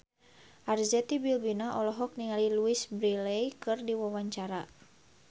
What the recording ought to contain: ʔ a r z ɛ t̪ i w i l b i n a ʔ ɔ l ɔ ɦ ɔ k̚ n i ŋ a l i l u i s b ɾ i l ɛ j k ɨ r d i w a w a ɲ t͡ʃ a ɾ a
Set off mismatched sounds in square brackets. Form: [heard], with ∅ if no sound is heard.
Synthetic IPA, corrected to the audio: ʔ a r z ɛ t̪ i [b] i l b i n a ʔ ɔ l ɔ ɦ ɔ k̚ n i ŋ a l i l u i s b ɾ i l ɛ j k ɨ r d i w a w a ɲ t͡ʃ a ɾ a